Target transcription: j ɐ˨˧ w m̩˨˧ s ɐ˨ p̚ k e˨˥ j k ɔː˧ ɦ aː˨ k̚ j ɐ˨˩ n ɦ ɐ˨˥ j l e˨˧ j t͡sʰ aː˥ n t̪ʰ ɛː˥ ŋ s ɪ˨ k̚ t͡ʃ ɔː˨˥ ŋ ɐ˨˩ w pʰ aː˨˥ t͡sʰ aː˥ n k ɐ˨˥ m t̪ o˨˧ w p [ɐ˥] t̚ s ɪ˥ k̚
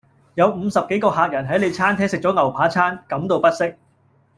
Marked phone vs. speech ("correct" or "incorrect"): correct